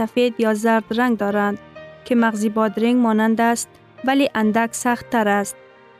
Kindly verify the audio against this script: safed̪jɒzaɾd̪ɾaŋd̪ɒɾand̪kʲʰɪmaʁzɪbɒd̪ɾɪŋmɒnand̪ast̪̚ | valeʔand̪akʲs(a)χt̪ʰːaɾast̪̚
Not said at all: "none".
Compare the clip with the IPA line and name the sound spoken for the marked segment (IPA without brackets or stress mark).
a